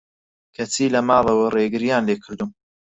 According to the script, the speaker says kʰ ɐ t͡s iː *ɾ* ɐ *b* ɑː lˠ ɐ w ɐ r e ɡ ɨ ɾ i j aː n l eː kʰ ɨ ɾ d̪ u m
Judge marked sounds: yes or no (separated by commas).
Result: no, no